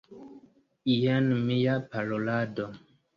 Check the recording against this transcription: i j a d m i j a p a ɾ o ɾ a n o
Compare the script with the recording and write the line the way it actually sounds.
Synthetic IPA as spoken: i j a n m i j a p a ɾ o l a d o